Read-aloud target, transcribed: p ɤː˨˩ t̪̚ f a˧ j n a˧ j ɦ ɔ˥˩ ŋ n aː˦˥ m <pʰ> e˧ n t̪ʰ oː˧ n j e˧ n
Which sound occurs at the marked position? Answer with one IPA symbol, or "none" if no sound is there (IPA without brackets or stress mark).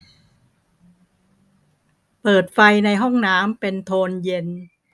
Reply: p